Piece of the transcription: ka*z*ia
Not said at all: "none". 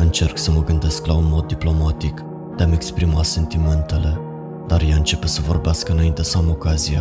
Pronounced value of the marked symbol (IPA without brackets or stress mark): z